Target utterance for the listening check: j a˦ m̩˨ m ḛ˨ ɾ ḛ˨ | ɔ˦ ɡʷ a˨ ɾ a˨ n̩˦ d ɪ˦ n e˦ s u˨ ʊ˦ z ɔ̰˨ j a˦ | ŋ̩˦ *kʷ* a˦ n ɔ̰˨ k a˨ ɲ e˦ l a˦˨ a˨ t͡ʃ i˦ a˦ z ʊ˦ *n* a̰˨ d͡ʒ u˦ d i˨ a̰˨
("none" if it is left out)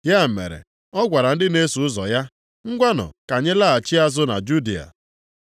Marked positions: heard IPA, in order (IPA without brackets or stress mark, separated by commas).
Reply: ɡʷ, n